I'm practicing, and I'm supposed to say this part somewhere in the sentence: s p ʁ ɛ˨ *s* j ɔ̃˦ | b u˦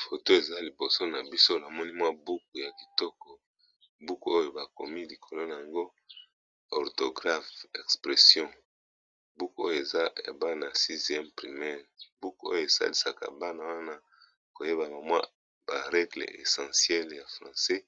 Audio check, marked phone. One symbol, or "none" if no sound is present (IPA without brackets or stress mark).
s